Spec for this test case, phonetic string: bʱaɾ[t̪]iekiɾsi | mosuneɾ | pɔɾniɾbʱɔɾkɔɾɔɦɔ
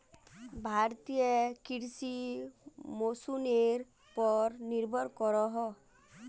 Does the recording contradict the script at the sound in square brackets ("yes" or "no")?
no